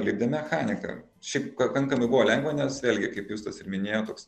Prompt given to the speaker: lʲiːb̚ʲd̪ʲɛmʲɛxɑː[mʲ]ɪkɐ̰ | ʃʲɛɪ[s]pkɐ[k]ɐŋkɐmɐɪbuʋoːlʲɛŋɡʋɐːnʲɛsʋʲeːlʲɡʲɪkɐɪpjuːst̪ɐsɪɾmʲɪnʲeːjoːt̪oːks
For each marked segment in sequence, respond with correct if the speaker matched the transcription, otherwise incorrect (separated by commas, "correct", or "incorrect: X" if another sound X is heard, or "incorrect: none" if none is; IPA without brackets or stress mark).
incorrect: nʲ, incorrect: none, correct